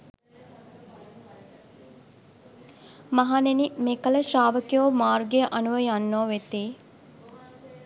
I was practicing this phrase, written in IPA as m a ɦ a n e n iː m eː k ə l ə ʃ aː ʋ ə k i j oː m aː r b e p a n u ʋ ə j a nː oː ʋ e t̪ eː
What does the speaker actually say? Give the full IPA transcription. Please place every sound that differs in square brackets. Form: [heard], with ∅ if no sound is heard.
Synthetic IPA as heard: m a ɦ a n e n [i] m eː k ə l ə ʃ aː ʋ ə k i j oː m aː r [ɡ] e [ʔ] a n u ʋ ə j a nː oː ʋ e t̪ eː